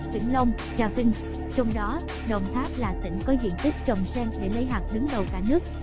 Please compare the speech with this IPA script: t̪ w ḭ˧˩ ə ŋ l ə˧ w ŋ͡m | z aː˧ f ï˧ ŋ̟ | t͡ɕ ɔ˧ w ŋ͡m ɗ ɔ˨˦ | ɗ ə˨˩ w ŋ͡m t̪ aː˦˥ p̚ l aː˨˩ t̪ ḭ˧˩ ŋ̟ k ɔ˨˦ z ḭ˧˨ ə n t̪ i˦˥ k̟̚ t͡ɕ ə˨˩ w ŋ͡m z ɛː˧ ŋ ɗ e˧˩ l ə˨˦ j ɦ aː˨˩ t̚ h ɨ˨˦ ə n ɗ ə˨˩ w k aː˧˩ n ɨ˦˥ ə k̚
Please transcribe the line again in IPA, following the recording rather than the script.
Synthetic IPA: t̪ w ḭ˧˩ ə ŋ l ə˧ w ŋ͡m | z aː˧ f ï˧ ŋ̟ | t͡ɕ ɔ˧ w ŋ͡m ɗ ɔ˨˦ | ɗ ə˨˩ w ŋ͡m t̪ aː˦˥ p̚ l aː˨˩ t̪ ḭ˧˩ ŋ̟ k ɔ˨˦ z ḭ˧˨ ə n t̪ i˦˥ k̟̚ t͡ɕ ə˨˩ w ŋ͡m s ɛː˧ ŋ ɗ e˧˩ l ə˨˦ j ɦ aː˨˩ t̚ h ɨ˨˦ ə ŋ ɗ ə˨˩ w k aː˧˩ n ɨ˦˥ ə k̚